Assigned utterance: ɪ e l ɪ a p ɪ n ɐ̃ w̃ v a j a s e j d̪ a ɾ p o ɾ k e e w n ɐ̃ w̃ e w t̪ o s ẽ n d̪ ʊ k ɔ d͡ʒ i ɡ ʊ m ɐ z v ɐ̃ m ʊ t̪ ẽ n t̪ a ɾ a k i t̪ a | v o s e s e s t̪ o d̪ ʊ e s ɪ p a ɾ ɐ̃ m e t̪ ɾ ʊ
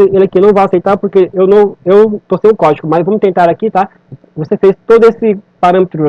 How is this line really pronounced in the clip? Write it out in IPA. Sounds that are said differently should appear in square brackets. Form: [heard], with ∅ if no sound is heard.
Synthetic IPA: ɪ e l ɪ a [k] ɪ n ɐ̃ w̃ v a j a s e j [t̪] a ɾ p o ɾ k e e w n ɐ̃ w̃ e w t̪ o s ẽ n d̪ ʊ k ɔ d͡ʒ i [k] ʊ m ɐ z v ɐ̃ m ʊ t̪ ẽ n t̪ a ɾ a k i t̪ a | v o s e [f] e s t̪ o d̪ ʊ e s ɪ p a ɾ ɐ̃ m e t̪ ɾ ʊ